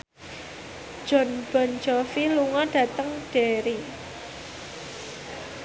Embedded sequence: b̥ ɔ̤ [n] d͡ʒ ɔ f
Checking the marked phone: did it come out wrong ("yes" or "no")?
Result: no